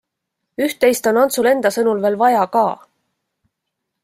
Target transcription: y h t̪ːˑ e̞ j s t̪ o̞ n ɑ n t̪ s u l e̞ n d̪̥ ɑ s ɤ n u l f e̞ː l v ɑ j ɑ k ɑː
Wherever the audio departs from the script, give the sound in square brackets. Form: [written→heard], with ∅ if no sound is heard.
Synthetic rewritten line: y h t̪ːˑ e̞ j s t̪ o̞ n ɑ n t̪ s u l e̞ n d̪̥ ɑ s ɤ n u l [f→v] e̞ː l v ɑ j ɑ k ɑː